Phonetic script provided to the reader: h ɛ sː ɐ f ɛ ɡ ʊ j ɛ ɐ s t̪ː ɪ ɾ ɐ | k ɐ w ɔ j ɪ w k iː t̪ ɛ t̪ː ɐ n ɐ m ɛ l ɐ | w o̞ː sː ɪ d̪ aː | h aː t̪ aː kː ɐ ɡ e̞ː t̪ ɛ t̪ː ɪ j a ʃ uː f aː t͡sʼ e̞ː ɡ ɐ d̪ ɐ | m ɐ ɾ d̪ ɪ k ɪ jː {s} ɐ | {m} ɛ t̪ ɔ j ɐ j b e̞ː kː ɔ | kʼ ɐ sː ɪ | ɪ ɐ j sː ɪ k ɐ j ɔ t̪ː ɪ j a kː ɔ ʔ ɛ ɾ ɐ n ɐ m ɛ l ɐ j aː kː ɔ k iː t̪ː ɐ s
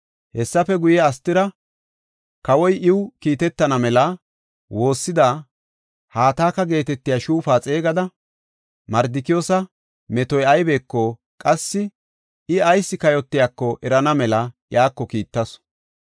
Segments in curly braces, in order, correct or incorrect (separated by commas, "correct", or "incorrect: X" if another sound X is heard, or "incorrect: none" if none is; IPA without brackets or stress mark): correct, correct